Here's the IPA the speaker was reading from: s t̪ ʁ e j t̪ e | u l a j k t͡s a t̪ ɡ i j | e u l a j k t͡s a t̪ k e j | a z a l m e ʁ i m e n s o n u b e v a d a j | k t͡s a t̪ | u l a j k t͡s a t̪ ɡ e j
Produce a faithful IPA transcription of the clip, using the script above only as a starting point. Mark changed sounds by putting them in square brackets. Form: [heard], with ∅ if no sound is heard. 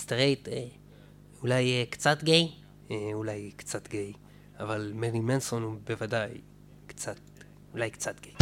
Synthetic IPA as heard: s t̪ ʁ e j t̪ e | u l a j k t͡s a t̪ ɡ [e] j | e u l a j k t͡s a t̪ [ɡ] e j | a [v] a l m e ʁ i m e n s o n u b e v a d a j | k t͡s a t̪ | u l a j k t͡s a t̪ ɡ e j